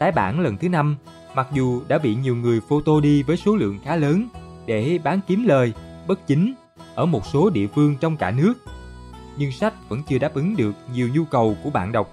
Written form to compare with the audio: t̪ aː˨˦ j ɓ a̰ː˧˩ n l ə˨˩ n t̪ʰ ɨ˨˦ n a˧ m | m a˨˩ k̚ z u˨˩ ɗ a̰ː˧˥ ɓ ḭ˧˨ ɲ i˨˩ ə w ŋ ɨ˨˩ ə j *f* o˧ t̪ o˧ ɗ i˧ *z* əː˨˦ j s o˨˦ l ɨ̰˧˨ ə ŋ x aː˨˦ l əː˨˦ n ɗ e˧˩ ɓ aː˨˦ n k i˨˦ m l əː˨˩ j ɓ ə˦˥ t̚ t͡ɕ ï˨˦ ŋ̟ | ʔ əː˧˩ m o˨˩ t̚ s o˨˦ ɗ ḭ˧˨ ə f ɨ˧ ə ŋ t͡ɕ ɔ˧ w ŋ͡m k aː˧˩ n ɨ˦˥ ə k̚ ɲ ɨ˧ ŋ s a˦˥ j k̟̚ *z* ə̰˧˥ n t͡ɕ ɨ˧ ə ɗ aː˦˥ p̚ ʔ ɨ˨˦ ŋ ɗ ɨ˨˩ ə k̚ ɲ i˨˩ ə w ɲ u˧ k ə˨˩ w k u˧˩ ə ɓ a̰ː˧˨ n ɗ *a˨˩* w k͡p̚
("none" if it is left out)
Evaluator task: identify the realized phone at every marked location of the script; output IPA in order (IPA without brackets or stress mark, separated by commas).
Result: f, v, v, ə˨˩